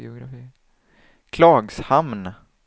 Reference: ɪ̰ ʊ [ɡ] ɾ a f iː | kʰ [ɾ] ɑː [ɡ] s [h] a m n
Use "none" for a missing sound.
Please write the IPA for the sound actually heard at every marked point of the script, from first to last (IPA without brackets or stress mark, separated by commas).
ɡ, l, ɡ, h